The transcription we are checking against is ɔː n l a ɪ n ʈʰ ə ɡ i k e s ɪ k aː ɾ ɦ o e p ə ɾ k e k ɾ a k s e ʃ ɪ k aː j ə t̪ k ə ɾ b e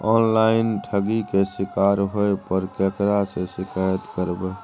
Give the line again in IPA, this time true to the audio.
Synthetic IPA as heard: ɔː n l a ɪ n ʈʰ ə ɡ i k e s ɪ k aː ɾ ɦ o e p ə ɾ k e k ɾ a s e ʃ ɪ k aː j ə t̪ k ə ɾ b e

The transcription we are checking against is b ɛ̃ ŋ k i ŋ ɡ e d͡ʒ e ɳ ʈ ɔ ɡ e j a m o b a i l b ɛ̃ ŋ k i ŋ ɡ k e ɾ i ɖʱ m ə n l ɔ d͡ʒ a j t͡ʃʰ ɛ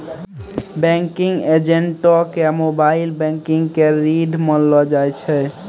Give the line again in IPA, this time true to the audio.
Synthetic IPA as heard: b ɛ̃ ŋ k i ŋ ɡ e d͡ʒ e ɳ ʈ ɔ k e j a m o b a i l b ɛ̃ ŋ k i ŋ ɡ k e ɾ i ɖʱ m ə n l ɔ d͡ʒ a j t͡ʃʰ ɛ

